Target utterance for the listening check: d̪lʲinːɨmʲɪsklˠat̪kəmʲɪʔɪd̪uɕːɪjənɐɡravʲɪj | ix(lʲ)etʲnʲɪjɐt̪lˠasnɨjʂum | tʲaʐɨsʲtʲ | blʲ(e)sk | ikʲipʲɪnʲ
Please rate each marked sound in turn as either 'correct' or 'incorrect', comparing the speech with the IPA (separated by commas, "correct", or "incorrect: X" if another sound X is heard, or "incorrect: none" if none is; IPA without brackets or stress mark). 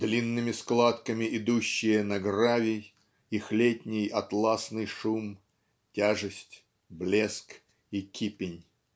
correct, correct